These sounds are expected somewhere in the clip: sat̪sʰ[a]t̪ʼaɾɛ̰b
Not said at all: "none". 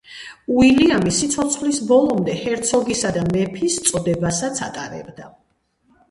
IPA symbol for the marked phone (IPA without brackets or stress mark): a